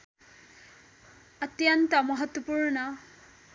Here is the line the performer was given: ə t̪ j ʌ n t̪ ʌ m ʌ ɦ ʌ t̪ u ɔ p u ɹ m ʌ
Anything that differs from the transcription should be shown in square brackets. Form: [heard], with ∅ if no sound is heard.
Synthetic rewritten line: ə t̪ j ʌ n t̪ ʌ m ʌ ɦ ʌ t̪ [w] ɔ p u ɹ [n] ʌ